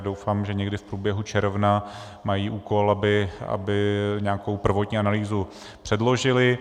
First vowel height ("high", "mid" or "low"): mid